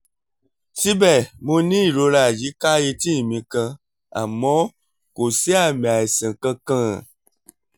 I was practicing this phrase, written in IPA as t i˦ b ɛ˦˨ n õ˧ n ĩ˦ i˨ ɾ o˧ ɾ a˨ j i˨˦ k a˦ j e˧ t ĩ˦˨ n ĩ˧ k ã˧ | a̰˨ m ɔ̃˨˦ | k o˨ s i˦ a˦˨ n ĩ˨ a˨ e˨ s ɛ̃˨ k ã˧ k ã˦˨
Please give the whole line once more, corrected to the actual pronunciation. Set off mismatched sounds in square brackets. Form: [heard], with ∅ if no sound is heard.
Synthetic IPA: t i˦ b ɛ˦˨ [m] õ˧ n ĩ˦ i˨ ɾ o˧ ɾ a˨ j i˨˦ k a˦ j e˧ t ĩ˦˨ [m] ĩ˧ k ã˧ | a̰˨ m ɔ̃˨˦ | k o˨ s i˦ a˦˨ [m] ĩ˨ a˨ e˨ s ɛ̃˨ k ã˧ k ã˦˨